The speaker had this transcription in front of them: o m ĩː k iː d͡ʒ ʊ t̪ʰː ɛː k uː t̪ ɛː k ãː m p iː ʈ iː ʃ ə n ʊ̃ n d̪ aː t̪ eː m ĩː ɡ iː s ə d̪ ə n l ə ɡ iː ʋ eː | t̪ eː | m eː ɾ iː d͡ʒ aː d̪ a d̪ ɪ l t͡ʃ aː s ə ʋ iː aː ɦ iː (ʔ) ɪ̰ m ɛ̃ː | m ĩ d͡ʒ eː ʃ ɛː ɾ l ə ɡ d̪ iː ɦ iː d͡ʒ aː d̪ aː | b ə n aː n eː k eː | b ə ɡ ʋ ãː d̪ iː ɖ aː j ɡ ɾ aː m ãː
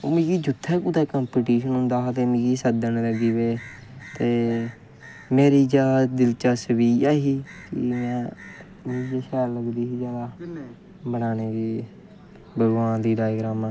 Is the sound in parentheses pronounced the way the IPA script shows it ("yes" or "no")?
no